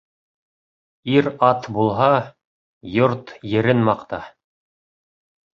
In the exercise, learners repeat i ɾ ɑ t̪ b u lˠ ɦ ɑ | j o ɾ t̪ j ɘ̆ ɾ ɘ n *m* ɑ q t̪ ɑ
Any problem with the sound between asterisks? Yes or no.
no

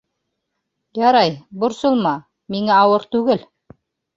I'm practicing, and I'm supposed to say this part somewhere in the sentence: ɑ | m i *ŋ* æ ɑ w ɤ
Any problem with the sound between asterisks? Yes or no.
no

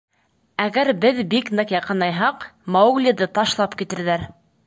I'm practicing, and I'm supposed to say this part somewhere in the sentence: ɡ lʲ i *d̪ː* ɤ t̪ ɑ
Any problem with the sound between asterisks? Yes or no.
yes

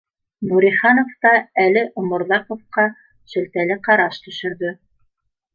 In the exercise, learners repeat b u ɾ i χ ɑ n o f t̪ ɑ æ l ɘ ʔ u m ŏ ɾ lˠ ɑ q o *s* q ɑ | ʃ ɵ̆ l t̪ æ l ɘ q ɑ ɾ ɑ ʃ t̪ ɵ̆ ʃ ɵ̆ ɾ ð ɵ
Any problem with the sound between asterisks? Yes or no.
yes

